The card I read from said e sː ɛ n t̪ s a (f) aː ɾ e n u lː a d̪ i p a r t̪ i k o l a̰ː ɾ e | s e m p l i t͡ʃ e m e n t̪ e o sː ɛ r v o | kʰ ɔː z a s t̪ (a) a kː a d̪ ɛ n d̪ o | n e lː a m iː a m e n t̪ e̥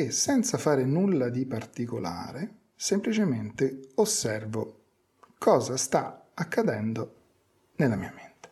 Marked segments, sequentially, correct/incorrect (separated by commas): correct, correct